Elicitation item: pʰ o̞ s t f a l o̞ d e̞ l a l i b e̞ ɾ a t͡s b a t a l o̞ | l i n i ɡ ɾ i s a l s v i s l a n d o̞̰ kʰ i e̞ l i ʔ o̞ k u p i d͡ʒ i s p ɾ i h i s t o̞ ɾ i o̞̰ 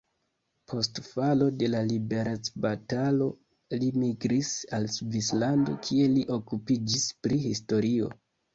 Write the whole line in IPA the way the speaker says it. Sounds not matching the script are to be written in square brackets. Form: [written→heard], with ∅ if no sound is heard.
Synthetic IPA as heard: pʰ o̞ s t f a l o̞ d e̞ l a l i b e̞ ɾ a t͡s b a t a l o̞ | l i [n→m] i ɡ ɾ i s a l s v i s l a n d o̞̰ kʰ i e̞ l i ʔ o̞ k u p i d͡ʒ i s p ɾ i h i s t o̞ ɾ i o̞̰